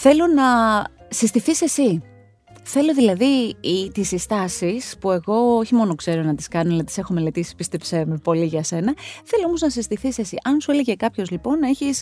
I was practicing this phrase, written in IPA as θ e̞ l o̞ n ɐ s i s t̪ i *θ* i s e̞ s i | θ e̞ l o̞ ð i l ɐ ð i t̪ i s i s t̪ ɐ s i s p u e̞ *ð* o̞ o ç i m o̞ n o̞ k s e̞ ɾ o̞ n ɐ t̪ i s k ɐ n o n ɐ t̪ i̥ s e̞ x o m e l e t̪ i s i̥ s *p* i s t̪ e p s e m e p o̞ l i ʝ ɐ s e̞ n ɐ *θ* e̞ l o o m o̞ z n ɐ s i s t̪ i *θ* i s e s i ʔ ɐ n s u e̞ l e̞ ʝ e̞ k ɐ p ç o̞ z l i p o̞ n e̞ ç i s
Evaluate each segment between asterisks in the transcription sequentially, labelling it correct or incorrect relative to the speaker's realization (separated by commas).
correct, incorrect, correct, correct, correct